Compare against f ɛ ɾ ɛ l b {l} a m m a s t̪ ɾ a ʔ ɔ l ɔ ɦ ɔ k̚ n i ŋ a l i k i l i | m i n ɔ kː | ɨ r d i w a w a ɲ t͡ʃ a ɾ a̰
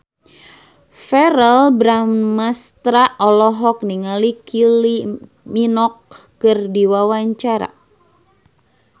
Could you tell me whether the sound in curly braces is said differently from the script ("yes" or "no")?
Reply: yes